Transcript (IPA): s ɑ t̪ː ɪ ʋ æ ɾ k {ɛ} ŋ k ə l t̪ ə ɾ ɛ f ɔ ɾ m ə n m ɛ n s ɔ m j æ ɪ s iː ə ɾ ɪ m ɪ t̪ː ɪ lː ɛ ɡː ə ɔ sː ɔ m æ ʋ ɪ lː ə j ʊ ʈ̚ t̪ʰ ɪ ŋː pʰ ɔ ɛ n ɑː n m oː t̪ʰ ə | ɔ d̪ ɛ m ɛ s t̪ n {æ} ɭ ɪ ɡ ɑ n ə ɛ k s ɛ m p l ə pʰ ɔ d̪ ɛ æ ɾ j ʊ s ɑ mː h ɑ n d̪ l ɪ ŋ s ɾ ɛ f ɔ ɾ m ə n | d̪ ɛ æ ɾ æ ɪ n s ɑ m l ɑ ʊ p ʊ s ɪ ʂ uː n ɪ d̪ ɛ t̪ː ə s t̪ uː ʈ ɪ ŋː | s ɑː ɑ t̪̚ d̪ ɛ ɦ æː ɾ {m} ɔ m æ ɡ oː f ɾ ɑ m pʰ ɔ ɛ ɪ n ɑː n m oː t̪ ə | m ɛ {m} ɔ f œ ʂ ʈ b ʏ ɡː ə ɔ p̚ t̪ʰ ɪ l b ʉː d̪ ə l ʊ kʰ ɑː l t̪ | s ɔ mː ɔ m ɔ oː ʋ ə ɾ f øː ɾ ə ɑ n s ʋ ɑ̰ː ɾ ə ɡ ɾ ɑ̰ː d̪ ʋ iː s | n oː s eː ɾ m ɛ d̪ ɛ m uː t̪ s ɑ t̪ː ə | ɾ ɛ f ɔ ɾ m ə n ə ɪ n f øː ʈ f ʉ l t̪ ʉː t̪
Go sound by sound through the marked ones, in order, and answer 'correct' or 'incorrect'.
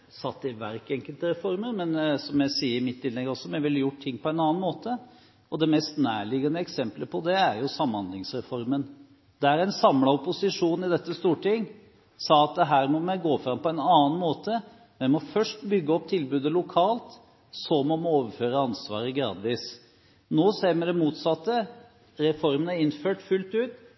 correct, incorrect, correct, correct

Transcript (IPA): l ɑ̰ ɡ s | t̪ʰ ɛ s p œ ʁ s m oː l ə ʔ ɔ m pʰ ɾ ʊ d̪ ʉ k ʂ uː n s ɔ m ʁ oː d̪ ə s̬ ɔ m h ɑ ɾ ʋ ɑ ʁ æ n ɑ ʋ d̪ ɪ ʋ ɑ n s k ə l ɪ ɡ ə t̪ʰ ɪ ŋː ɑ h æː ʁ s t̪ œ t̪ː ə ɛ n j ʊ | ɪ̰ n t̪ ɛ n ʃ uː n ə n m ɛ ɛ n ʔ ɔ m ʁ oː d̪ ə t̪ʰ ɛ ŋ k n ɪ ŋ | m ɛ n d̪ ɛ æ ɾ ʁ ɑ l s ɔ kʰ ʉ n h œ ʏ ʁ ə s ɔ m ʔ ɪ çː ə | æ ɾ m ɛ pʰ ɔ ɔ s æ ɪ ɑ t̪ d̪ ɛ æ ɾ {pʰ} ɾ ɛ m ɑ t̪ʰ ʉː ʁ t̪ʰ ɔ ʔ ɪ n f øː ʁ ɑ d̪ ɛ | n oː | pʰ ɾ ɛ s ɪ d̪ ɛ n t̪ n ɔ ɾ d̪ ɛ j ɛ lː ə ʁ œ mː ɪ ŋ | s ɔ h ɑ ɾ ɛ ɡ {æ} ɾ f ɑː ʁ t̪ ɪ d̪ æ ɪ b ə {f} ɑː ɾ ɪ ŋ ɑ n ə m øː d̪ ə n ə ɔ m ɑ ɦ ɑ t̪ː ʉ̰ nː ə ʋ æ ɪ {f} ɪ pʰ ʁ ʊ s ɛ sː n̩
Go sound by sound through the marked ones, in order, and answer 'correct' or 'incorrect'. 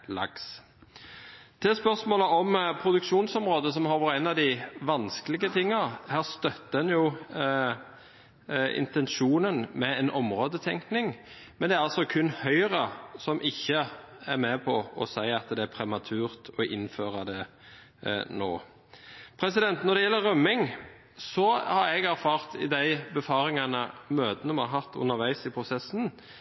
correct, correct, correct, incorrect

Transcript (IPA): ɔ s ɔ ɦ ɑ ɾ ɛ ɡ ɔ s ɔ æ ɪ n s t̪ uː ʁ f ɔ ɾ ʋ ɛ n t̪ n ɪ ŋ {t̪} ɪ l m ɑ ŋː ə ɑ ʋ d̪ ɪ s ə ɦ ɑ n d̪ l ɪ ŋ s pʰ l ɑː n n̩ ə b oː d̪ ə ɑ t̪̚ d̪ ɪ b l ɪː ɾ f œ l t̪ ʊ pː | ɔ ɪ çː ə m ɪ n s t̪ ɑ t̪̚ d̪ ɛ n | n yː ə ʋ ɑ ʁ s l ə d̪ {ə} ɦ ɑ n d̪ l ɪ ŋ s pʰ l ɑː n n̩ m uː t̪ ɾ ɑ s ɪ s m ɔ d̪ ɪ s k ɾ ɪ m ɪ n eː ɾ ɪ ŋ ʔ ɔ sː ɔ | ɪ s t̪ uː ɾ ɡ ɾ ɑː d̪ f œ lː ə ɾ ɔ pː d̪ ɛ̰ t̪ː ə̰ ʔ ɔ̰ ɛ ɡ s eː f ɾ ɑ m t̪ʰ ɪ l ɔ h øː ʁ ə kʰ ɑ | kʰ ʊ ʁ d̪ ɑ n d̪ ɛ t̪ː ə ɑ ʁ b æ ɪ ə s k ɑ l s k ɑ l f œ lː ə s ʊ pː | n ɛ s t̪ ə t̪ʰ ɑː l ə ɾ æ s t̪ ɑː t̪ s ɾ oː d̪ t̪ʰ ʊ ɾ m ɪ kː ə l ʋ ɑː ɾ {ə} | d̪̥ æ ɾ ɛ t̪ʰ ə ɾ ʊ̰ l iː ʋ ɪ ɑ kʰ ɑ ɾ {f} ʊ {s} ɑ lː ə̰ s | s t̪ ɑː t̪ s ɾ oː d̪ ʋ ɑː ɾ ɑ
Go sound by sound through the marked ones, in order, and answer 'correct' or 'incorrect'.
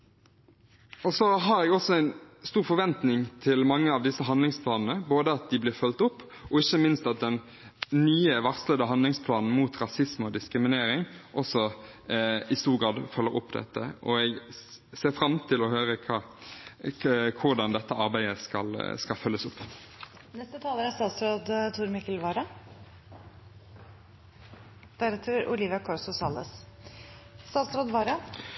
incorrect, correct, incorrect, incorrect, correct

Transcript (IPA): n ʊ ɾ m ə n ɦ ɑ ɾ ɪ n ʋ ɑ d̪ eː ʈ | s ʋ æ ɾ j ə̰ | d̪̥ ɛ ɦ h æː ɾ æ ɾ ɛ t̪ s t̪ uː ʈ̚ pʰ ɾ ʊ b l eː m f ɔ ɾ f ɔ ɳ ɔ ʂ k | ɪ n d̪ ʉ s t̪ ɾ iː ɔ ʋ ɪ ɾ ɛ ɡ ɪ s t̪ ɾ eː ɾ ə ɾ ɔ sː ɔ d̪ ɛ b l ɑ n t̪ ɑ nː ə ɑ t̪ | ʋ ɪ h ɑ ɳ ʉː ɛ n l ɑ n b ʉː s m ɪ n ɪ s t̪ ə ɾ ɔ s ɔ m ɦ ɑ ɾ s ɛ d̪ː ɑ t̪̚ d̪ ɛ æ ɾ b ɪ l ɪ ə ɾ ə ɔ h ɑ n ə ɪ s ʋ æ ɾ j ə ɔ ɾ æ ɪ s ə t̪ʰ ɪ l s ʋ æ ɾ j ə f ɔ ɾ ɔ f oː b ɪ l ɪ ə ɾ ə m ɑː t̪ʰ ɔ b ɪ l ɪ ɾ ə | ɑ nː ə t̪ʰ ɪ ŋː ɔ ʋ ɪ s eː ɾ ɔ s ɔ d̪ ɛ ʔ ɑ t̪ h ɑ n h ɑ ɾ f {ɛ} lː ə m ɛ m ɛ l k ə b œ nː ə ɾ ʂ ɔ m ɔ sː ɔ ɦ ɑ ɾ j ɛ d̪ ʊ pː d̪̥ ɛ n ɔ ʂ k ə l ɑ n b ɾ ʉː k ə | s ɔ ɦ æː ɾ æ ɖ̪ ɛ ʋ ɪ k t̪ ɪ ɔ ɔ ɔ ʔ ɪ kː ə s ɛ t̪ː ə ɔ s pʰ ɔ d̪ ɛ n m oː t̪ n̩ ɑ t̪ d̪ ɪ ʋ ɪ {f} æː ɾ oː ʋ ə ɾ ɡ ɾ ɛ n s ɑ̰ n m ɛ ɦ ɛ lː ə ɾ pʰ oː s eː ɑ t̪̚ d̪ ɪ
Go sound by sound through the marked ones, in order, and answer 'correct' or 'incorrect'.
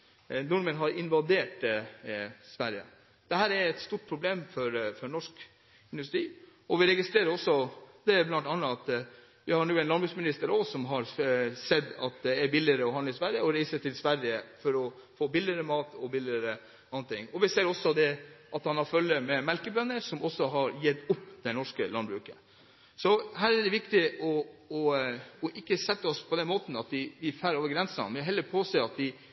incorrect, correct

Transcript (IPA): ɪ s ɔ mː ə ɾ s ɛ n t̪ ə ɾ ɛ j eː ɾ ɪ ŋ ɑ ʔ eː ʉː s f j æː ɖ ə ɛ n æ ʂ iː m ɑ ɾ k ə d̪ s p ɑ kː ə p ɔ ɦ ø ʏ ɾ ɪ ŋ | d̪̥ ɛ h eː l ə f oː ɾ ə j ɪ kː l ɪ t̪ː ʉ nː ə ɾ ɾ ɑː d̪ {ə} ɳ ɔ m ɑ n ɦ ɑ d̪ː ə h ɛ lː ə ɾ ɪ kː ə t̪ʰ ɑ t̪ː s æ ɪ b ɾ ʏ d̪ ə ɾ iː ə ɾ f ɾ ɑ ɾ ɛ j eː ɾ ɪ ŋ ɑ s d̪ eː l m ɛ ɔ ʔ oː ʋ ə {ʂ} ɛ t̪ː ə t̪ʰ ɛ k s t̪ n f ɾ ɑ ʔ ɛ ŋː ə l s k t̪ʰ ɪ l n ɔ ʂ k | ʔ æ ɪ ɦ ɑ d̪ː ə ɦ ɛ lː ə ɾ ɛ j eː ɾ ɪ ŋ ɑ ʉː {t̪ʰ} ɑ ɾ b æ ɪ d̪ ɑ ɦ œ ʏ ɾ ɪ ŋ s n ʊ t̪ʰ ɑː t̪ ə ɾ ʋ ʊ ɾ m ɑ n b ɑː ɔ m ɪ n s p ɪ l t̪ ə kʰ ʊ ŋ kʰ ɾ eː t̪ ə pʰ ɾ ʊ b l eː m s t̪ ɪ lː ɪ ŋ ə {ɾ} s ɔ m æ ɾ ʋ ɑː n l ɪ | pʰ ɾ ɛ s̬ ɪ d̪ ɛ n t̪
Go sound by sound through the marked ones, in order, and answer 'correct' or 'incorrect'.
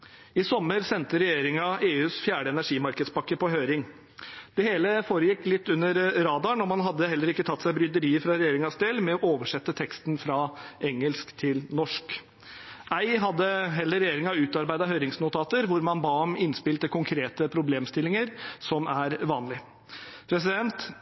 incorrect, correct, incorrect, correct

